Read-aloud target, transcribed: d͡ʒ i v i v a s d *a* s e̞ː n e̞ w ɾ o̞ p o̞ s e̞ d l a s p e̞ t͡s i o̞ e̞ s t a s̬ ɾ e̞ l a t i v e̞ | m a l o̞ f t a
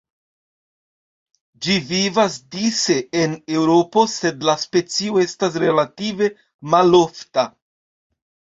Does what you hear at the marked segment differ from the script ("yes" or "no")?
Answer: yes